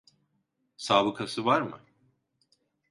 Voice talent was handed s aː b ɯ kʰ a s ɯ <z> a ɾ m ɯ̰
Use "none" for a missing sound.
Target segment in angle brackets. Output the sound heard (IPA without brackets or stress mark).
v